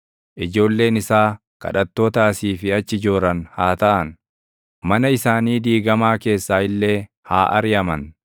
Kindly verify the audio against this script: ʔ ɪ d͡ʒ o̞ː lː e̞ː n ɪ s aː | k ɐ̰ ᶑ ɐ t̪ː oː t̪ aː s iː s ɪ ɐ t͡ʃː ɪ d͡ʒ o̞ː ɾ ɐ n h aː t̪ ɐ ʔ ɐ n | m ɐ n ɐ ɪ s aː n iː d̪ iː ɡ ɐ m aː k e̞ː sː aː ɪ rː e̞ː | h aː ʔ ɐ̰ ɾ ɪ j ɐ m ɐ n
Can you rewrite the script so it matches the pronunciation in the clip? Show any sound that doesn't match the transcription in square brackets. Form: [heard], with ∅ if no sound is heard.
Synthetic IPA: ʔ ɪ d͡ʒ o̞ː lː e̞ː n ɪ s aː | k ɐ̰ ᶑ ɐ t̪ː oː t̪ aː s iː [f] ɪ ɐ t͡ʃː ɪ d͡ʒ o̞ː ɾ ɐ n h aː t̪ ɐ ʔ ɐ n | m ɐ n ɐ ɪ s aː n iː d̪ iː ɡ ɐ m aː k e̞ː sː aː ɪ [lː] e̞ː | h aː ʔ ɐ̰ ɾ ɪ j ɐ m ɐ n